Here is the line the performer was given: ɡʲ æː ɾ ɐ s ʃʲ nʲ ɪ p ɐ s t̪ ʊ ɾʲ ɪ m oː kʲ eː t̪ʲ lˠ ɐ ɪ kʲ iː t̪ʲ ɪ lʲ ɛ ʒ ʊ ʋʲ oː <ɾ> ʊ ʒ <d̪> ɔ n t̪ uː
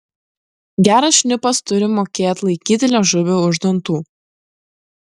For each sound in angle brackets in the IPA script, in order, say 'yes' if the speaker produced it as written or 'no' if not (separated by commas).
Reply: no, yes